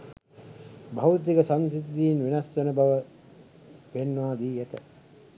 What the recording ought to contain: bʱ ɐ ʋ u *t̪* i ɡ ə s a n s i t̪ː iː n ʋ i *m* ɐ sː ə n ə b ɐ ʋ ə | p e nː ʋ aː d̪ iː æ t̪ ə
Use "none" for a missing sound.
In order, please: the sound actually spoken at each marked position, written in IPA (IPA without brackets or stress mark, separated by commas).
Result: t̪, n